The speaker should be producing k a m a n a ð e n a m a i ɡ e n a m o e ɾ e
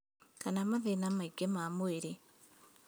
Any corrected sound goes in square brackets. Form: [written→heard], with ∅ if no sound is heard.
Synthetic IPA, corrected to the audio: k a [m→n] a [n→m] a ð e n a m a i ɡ e [n→m] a m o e ɾ e